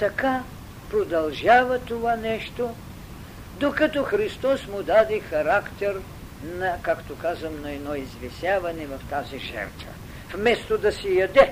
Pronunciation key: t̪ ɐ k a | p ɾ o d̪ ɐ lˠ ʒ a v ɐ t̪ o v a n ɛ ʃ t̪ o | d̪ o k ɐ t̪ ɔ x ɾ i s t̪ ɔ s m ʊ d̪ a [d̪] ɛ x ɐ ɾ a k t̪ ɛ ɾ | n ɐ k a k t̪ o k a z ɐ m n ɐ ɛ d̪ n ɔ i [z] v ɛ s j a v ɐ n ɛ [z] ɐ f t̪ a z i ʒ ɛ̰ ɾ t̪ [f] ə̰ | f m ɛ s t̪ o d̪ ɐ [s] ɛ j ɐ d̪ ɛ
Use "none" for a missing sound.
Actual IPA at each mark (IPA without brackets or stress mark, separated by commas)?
d̪, z, v, v, s